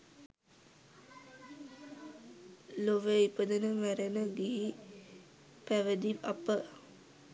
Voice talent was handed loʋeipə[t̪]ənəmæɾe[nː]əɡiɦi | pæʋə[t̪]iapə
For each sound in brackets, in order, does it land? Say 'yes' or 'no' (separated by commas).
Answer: no, no, no